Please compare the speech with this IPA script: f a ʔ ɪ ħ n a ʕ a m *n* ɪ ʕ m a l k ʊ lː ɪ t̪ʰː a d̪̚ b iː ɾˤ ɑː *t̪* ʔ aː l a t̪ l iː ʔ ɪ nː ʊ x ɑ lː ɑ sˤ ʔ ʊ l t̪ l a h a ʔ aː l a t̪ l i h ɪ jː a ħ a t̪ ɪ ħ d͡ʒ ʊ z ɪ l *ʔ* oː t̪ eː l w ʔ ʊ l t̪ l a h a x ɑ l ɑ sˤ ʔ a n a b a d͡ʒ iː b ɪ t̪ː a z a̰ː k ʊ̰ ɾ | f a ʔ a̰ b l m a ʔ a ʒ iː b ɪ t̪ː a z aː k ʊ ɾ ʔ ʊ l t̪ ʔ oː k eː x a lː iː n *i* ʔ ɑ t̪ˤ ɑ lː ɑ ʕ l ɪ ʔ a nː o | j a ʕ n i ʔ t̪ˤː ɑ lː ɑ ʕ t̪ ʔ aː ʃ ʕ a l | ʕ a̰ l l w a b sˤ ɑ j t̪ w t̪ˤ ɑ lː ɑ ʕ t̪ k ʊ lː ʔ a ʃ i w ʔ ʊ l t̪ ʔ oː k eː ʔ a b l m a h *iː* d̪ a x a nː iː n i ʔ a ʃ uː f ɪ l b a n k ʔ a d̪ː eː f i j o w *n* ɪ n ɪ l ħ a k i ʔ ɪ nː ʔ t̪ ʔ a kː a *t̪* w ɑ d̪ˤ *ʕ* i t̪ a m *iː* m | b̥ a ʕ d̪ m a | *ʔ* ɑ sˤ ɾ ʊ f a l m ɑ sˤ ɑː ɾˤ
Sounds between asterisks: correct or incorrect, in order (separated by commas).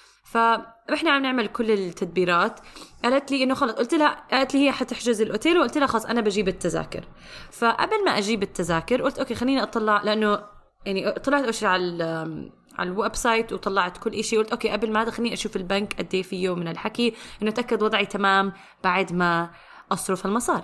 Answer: correct, correct, correct, correct, incorrect, incorrect, incorrect, correct, incorrect, correct